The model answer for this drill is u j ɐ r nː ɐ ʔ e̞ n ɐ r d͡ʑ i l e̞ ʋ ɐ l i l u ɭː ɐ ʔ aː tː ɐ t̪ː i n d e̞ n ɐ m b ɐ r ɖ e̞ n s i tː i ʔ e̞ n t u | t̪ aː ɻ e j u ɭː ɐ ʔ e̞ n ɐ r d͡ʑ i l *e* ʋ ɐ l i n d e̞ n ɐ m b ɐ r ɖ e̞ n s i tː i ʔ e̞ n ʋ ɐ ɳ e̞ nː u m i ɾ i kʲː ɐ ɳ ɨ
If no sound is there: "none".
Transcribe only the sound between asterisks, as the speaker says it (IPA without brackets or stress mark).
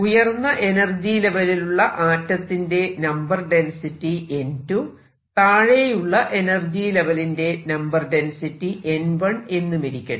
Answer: e